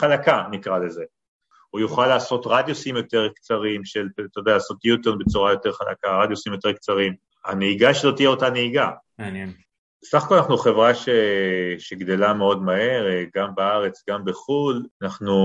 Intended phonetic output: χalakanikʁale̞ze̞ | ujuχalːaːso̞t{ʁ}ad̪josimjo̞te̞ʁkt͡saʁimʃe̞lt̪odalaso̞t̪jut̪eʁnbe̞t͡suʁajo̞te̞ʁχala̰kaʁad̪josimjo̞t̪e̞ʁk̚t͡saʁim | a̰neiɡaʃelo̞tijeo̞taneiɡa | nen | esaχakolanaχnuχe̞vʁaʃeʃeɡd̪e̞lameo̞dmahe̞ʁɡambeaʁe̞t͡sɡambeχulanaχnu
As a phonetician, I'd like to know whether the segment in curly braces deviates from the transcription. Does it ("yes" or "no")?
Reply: no